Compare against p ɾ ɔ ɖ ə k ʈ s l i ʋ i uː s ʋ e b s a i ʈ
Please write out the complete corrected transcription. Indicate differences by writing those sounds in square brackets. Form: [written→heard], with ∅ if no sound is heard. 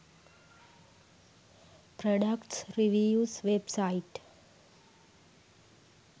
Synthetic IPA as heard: p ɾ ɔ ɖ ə k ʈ s [l→ɾ] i ʋ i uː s ʋ e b s a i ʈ